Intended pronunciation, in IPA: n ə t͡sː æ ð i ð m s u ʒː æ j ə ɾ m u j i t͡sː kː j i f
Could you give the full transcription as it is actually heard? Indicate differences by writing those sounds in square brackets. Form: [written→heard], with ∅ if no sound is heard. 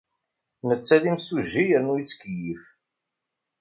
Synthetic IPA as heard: n ə t͡sː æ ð i [ð→∅] m s u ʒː [æ→i] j ə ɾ [m→n] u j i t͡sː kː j i f